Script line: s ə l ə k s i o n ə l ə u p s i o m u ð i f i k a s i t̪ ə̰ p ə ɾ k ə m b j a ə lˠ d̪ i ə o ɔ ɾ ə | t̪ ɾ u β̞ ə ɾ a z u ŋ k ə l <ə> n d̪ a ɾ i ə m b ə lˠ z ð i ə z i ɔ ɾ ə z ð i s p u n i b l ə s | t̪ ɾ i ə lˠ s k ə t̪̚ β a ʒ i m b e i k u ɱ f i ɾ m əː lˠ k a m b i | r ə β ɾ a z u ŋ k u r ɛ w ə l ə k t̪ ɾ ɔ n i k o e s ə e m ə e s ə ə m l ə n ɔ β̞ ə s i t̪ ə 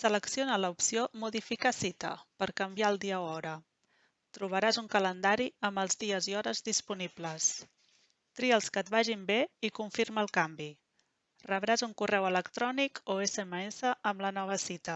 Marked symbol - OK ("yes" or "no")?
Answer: yes